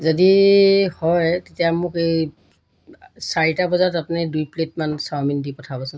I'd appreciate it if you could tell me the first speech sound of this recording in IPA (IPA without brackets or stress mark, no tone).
z